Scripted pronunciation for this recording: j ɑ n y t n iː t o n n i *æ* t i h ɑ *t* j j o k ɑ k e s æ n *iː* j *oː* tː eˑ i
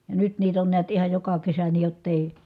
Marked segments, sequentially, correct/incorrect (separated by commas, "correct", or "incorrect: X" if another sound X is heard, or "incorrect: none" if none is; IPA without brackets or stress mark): correct, incorrect: none, correct, incorrect: o